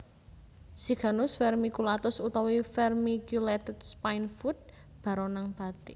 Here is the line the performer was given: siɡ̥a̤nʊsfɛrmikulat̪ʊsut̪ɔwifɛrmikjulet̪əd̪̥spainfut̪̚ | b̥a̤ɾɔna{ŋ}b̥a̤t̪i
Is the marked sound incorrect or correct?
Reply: correct